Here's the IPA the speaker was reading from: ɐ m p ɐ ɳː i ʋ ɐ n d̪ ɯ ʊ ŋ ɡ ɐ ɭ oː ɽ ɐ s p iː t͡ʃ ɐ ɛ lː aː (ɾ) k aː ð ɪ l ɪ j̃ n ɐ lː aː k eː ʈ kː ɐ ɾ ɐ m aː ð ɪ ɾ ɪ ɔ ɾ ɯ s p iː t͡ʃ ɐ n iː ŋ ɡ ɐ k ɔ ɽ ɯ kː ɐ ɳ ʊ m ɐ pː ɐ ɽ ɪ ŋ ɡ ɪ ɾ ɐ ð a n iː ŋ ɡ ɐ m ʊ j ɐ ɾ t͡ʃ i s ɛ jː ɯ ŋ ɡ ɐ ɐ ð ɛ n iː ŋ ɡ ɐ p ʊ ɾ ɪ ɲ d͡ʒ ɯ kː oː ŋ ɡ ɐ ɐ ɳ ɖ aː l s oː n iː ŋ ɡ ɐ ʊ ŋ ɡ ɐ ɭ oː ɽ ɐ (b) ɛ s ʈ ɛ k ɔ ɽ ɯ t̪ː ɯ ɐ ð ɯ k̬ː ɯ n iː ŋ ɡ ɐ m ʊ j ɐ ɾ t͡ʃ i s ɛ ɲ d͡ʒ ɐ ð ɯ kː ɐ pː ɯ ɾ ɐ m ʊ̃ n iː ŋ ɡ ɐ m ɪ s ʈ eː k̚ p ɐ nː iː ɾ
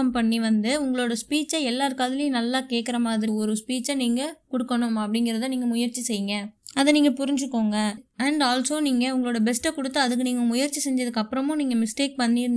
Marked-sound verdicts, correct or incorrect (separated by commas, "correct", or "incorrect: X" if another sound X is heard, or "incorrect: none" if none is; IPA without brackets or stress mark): correct, correct